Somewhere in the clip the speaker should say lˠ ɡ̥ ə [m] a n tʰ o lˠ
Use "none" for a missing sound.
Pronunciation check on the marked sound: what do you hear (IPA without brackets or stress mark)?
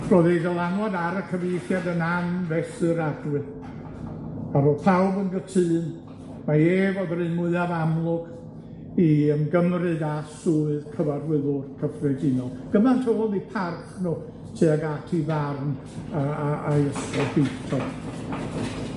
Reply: m